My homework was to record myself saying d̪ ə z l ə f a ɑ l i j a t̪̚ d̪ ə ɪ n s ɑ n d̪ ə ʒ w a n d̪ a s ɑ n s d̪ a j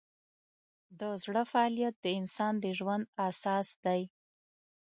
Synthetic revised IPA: d̪ ə z ɽ ə f a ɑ l i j a t̪̚ d̪ ə ɪ n s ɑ n d̪ ə ʒ w a n d̪ a s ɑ s d̪ a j